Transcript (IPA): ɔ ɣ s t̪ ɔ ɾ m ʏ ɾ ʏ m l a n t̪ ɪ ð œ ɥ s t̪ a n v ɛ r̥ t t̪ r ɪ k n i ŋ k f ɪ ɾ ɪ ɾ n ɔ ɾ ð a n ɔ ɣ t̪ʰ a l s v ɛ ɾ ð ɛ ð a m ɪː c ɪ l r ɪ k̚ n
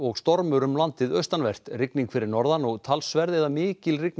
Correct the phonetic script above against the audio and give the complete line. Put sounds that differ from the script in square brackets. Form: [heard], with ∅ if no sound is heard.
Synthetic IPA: ɔ ɣ s t̪ ɔ ɾ m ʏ ɾ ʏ m l a n t̪ ɪ ð œ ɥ s t̪ a n v ɛ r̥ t t̪ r ɪ k n i ŋ k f ɪ ɾ ɪ ɾ n ɔ ɾ ð a n ɔ ɣ t̪ʰ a l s v ɛ ɾ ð ɛ ð a m ɪː c ɪ l r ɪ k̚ n